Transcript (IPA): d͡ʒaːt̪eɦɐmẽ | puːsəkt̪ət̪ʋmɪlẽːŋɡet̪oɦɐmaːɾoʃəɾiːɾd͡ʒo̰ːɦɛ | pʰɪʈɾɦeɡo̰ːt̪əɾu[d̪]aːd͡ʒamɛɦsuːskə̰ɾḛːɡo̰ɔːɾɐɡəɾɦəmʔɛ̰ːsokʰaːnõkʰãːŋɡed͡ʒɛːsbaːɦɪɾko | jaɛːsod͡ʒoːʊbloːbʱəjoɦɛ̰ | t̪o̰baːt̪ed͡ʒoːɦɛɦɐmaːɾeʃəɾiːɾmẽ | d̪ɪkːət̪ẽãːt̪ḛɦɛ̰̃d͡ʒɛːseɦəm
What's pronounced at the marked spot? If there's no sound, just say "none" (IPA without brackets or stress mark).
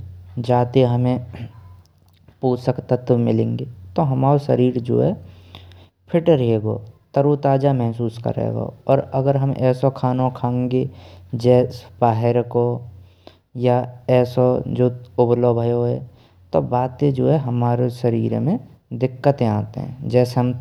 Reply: t̪